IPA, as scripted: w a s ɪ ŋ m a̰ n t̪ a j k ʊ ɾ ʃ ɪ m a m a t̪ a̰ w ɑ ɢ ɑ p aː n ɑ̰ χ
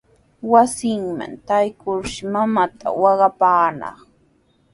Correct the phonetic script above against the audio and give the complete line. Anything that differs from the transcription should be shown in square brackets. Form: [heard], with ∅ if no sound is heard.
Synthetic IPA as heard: w a s ɪ ŋ m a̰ n t̪ a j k ʊ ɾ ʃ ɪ m a m a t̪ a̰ w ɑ ɢ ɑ p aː n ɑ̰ χ